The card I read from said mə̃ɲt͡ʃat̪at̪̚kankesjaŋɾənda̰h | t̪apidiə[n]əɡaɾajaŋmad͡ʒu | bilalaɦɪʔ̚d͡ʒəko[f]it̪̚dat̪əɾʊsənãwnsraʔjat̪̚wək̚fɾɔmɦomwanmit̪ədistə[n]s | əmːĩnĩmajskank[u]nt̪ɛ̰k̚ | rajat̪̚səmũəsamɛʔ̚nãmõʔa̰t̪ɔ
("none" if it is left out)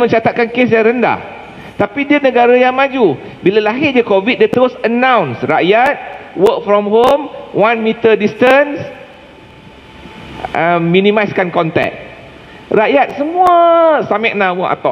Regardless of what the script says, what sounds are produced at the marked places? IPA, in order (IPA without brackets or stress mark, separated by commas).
n, v, n, ɔ